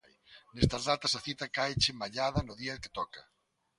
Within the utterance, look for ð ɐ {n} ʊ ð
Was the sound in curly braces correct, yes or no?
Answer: yes